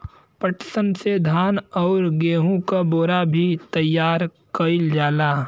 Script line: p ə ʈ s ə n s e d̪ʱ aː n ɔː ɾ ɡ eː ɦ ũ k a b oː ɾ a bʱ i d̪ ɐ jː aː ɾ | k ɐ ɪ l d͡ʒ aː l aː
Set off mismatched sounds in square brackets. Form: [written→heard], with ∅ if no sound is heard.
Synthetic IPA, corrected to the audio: p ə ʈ s ə n s e d̪ʱ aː n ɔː ɾ ɡ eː ɦ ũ k a b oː ɾ a bʱ i [d̪→t̪] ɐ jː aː ɾ | k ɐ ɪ l d͡ʒ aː l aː